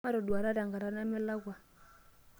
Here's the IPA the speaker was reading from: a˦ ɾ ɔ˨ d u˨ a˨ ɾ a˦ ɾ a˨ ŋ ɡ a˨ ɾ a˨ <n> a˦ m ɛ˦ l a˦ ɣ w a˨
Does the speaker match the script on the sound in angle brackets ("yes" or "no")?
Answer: yes